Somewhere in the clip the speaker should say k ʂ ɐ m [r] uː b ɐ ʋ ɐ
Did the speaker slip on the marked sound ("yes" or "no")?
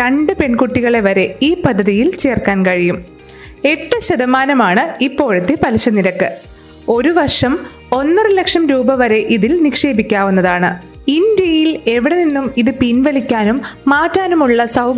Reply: yes